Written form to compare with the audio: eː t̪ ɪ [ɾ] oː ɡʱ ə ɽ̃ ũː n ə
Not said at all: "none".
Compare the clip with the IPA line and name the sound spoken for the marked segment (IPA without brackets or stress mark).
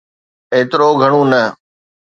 ɾ